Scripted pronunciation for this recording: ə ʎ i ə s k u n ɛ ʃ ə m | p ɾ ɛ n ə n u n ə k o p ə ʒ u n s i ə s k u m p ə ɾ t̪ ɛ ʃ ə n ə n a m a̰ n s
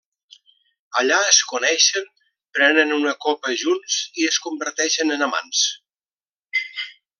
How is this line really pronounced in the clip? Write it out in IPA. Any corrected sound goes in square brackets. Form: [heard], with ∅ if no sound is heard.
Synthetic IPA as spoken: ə ʎ [a] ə s k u n ɛ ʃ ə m | p ɾ ɛ n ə n u n ə k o p ə ʒ u n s i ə s k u m [b] ə ɾ t̪ ɛ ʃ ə n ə n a m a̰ n s